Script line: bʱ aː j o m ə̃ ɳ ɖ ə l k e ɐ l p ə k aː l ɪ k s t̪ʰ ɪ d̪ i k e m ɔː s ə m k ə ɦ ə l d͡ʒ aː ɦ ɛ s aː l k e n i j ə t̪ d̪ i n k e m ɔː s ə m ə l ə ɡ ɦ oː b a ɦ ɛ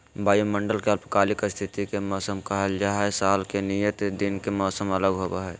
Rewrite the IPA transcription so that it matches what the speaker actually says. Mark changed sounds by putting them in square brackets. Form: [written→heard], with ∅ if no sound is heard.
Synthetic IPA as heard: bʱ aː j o m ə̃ ɳ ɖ ə l k e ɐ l p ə k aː l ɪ k s t̪ʰ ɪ [d̪→t̪] i k e m ɔː s ə m k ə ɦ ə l d͡ʒ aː ɦ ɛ s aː l k e n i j ə t̪ d̪ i n k e m ɔː s ə m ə l ə ɡ ɦ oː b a ɦ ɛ